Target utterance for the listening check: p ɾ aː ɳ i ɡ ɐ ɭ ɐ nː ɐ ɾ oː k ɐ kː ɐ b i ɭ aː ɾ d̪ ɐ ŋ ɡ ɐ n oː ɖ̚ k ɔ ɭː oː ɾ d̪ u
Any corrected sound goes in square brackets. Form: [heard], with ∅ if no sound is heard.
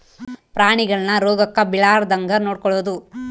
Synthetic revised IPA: p ɾ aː ɳ i ɡ ɐ ɭ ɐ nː ɐ ɾ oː [ɡ] ɐ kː ɐ b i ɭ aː ɾ d̪ ɐ ŋ ɡ ɐ n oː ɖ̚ k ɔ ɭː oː [∅] d̪ u